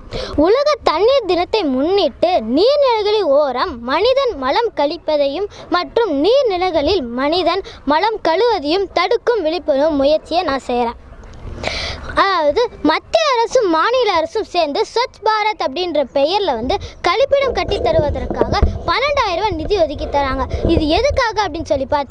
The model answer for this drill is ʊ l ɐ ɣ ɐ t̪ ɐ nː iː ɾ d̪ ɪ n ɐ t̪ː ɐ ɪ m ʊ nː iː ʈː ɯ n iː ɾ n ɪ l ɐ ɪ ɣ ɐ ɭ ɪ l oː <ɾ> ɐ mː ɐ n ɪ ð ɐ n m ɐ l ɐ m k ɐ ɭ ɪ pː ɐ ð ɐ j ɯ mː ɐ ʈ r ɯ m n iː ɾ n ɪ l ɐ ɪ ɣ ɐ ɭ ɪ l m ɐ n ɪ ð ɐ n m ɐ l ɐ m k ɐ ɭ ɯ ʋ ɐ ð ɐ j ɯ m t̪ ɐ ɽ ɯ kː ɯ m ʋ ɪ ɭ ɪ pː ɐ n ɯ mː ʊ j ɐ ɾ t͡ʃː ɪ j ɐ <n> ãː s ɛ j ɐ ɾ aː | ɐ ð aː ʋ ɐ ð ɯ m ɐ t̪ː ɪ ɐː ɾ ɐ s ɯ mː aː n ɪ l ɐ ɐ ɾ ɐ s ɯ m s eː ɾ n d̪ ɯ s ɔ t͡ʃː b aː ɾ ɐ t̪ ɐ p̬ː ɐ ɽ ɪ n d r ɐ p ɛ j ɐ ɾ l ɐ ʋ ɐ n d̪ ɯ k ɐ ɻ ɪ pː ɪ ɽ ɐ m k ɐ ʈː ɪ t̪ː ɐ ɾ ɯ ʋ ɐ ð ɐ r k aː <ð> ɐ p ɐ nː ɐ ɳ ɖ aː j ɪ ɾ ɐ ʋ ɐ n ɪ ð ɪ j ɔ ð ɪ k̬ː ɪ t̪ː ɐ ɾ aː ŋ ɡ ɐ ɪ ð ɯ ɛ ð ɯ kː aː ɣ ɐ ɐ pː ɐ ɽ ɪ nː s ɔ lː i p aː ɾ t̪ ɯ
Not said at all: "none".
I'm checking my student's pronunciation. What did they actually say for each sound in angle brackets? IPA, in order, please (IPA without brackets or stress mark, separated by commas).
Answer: ɾ, n, ɣ